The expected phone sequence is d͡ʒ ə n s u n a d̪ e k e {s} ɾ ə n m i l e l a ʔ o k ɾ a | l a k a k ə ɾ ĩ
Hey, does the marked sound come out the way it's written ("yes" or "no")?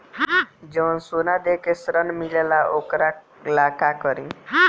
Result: yes